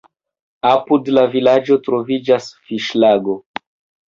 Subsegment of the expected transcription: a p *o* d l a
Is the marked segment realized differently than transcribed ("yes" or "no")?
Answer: yes